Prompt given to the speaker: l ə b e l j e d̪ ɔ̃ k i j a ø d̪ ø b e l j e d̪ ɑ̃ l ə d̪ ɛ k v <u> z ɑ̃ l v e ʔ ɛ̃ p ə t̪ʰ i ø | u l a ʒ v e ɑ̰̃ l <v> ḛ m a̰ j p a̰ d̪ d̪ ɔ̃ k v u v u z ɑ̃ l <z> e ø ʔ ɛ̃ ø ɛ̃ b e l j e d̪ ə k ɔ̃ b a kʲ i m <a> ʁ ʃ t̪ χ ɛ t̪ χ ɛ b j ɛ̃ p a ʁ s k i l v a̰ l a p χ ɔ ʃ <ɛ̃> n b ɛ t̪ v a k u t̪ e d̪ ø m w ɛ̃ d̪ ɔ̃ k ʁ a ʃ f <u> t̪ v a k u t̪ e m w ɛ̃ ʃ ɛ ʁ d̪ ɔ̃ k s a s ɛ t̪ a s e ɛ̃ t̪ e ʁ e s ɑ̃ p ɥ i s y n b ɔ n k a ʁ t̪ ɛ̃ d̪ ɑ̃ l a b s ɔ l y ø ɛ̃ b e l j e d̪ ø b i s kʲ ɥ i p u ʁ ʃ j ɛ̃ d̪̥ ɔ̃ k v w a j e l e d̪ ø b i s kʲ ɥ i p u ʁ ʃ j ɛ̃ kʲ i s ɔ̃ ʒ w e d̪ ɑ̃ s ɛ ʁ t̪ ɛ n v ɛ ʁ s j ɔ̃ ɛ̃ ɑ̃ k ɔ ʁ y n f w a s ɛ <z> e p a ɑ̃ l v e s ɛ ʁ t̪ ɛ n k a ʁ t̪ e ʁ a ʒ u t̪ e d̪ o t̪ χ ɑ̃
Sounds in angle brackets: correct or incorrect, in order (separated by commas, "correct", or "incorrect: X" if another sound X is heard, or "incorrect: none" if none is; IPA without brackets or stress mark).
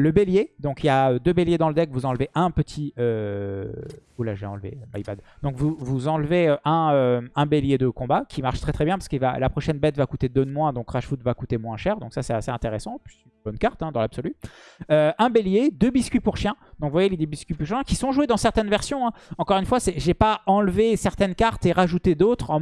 correct, correct, incorrect: v, correct, incorrect: ɛ, correct, incorrect: ʒ